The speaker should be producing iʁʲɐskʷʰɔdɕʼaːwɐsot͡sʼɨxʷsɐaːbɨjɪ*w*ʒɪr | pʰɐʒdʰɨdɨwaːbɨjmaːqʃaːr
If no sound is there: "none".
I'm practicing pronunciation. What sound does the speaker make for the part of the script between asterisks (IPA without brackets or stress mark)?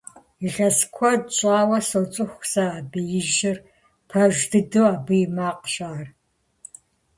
none